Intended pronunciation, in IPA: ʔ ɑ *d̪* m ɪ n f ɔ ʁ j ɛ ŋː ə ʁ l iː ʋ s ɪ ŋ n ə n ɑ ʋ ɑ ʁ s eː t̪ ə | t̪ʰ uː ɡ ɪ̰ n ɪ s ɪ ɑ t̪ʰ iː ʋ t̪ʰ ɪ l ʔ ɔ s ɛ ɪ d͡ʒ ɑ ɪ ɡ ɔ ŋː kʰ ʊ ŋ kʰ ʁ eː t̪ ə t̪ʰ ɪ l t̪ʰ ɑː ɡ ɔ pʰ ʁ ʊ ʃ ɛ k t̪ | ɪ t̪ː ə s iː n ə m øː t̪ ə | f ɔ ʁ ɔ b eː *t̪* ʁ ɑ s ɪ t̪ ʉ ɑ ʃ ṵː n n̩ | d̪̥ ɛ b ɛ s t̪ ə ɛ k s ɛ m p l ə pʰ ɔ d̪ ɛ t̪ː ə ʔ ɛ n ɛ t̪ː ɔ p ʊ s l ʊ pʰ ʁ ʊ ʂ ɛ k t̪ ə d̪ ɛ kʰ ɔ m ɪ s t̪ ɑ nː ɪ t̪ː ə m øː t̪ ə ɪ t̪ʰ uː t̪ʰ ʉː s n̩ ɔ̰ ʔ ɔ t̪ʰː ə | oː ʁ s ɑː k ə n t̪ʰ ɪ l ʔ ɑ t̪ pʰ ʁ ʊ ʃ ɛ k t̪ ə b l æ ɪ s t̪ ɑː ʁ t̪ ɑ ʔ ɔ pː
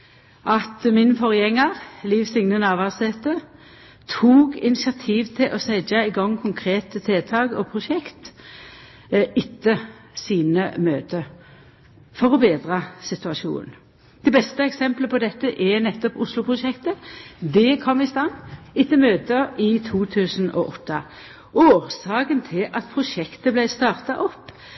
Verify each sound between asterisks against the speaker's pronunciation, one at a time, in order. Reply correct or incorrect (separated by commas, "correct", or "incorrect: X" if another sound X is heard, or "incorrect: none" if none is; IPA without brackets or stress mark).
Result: incorrect: t̪, incorrect: d̪